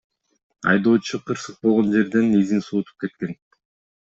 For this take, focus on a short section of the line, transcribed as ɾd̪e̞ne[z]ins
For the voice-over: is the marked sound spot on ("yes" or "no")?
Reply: yes